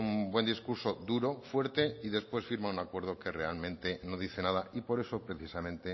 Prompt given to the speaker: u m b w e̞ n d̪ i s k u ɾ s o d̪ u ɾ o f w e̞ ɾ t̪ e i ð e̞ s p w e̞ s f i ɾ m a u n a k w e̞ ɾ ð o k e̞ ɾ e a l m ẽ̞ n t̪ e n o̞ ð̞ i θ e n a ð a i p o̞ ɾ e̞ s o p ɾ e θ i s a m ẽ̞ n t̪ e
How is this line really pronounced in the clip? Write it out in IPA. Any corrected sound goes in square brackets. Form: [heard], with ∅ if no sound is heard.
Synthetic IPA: u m b w e̞ n d̪ i s k u ɾ s o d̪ u ɾ o f w e̞ ɾ t̪ e i ð e̞ s p w e̞ s f i ɾ m a u n a k w e̞ ɾ ð o k e̞ [r] e a l m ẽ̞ n t̪ e n o̞ ð̞ i θ e n a ð a i p o̞ ɾ e̞ s o p ɾ e θ i s a m ẽ̞ n t̪ e